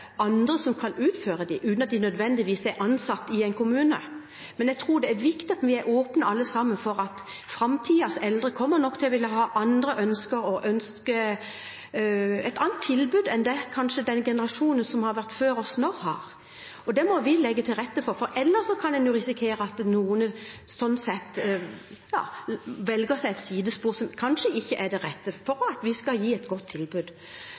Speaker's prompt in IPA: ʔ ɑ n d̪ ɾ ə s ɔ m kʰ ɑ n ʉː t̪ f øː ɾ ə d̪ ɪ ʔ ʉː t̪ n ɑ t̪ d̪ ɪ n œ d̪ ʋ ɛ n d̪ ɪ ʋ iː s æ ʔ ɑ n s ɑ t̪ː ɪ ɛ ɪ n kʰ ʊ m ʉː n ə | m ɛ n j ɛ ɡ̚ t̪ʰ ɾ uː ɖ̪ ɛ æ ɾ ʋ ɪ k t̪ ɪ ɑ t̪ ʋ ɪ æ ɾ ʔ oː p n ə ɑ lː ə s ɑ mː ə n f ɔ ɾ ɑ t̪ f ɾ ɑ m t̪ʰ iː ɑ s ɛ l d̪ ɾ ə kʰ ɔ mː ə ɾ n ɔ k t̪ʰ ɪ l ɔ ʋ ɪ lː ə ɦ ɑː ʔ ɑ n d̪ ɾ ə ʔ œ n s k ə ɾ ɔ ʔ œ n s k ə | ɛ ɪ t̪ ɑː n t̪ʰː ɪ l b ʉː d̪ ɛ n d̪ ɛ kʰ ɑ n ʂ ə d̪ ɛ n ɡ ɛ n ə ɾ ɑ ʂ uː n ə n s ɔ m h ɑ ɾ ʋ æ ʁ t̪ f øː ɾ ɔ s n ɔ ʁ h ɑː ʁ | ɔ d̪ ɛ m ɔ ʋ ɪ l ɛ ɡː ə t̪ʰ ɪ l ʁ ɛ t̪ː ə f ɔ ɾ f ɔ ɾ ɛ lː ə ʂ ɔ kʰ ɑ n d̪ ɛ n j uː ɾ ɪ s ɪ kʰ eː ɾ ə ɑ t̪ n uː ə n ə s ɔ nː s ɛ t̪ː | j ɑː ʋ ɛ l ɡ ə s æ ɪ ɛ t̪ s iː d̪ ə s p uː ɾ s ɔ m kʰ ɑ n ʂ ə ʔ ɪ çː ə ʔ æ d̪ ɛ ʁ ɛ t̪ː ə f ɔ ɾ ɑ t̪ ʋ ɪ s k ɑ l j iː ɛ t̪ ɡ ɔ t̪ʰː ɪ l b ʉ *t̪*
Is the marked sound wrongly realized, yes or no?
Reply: yes